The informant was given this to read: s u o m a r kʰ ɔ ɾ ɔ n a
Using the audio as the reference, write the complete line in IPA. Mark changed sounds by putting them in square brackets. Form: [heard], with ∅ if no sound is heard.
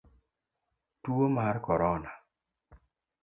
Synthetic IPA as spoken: [t] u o m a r [k] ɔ ɾ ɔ n a